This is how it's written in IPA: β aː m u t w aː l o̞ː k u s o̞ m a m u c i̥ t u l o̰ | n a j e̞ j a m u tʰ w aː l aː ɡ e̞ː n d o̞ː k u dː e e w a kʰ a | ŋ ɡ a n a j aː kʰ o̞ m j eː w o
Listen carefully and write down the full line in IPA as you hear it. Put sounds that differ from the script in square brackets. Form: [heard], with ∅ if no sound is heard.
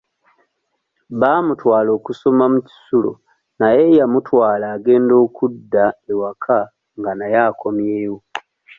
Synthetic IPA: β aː m u t w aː l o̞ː k u s o̞ m a m u c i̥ [s] u l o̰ | n a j e̞ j a m u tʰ w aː l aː ɡ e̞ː n d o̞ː k u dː [a] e w a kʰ a | ŋ ɡ a n a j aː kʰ o̞ m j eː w o